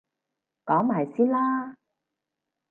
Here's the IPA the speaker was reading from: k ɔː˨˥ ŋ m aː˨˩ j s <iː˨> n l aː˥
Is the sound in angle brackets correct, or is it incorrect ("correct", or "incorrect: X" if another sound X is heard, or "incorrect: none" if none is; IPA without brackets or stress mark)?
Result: incorrect: iː˥